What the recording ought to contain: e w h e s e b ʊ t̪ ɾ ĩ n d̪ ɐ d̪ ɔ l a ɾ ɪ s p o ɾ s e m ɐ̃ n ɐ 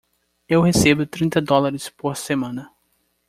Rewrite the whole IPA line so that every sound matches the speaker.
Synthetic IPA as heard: e w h e s e b ʊ t̪ ɾ ĩ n t̪ ɐ d̪ ɔ l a ɾ ɪ s p o ɾ s e m ɐ̃ n ɐ